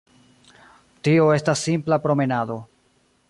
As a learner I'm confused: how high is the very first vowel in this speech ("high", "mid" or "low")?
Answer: high